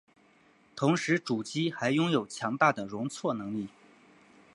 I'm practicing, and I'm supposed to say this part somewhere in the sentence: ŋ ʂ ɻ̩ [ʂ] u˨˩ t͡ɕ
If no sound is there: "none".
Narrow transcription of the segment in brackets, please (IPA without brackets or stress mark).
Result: ʈ͡ʂ